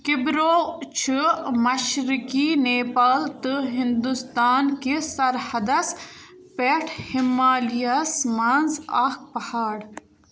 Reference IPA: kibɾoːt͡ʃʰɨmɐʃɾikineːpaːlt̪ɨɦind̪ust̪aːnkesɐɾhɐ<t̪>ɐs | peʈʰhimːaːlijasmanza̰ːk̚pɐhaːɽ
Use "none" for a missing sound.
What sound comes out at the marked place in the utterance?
d̪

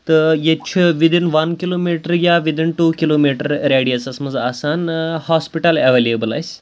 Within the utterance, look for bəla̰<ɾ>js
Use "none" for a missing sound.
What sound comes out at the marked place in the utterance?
none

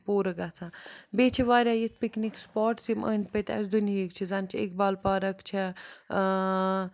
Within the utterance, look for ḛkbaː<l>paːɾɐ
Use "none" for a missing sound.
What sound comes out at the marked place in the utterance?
l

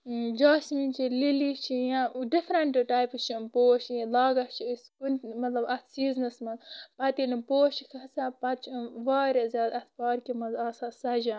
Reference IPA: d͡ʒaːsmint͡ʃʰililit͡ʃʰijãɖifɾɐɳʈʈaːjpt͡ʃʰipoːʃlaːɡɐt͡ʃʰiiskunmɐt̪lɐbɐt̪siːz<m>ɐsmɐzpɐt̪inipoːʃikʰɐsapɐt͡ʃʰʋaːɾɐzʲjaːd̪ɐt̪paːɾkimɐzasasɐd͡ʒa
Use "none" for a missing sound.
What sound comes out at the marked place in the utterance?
n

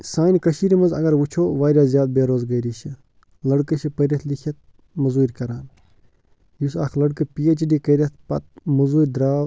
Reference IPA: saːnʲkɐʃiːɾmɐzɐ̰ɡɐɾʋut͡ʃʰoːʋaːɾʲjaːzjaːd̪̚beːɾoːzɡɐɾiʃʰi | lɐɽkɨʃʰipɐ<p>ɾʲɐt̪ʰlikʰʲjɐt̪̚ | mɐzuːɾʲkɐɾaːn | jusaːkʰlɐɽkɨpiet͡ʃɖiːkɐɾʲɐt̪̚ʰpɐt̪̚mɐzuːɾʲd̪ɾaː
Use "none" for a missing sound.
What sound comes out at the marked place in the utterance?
none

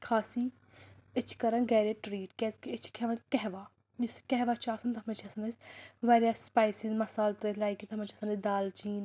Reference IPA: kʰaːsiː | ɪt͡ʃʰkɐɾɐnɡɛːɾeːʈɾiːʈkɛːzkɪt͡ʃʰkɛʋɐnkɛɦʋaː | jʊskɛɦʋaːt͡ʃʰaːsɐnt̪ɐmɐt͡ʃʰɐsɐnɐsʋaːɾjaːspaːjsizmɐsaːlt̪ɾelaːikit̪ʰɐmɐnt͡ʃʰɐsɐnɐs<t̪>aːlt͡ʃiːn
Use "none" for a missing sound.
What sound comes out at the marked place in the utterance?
d̪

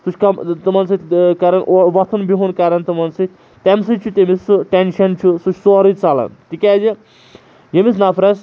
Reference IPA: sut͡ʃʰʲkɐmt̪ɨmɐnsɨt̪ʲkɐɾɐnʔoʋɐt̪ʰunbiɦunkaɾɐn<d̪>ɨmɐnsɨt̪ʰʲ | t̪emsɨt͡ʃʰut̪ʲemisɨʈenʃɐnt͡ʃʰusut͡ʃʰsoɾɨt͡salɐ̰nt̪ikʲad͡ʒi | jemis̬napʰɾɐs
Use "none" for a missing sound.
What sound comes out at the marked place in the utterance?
t̪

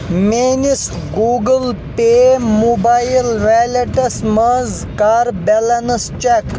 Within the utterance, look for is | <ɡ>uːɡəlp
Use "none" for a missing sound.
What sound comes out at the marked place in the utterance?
ɡ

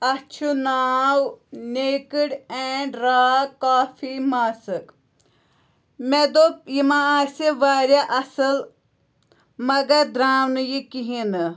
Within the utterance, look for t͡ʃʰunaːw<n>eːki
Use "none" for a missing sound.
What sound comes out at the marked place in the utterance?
n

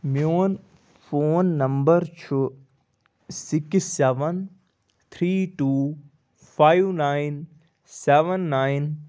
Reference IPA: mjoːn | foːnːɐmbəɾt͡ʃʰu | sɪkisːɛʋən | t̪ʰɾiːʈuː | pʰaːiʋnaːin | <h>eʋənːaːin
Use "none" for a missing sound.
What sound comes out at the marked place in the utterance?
s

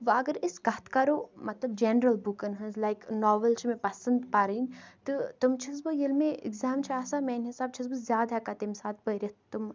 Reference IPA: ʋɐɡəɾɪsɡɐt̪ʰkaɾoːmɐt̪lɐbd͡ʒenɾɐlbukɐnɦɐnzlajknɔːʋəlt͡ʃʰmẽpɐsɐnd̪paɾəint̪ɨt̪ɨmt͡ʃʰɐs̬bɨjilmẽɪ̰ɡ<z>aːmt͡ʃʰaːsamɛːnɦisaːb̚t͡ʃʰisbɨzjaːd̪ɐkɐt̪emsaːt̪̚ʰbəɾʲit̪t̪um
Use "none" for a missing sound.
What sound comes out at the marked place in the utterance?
z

